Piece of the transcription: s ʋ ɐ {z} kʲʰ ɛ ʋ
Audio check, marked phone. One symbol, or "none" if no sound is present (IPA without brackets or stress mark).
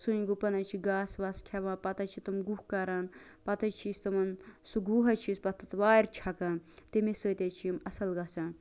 s